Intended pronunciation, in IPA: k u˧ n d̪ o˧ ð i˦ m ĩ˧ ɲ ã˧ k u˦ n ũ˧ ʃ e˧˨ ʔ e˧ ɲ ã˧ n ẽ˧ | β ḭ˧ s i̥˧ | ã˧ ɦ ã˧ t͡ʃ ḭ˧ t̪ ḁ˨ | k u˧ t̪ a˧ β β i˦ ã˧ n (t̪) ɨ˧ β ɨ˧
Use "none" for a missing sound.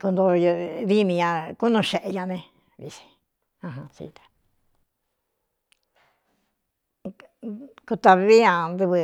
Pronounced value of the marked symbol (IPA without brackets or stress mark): d̪